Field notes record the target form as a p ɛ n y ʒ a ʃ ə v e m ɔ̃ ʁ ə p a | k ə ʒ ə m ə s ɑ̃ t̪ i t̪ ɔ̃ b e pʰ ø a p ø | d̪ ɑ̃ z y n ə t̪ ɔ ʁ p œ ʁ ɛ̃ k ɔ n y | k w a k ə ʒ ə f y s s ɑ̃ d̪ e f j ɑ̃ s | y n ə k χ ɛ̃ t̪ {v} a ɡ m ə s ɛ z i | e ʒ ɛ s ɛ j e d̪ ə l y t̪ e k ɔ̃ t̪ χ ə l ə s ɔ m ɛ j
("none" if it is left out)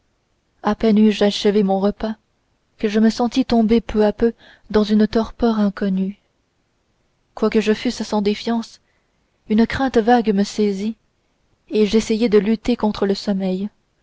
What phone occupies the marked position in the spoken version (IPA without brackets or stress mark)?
v